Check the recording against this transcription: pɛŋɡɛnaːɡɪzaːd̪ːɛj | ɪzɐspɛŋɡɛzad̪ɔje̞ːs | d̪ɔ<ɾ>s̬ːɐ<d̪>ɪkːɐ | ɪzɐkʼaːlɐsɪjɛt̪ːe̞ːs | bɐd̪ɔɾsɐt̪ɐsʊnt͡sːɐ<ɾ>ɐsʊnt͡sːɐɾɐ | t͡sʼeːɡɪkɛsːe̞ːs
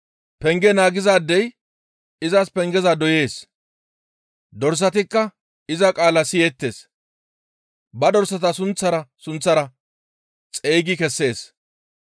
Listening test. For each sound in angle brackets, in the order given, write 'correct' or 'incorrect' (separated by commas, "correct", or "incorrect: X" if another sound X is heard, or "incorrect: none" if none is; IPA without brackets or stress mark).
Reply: correct, incorrect: t̪, correct